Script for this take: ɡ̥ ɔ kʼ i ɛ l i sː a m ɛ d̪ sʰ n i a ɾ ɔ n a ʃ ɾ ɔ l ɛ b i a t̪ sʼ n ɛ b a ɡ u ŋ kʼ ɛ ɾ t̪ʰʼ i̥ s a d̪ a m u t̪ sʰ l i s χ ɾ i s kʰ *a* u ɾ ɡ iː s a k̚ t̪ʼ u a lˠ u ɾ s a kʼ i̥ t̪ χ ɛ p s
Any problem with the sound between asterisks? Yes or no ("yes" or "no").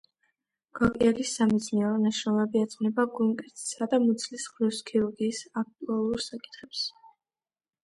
yes